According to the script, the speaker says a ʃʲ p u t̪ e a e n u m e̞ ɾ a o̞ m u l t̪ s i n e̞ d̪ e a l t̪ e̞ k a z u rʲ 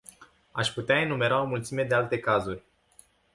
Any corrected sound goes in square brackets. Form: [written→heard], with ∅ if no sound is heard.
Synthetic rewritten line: a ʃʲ p u t̪ e a e n u m e̞ ɾ a o̞ m u l t̪ s i [n→m] e̞ d̪ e a l t̪ e̞ k a z u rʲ